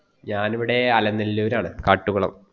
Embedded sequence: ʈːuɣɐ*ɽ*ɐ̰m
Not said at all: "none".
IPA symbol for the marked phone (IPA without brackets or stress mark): ɭ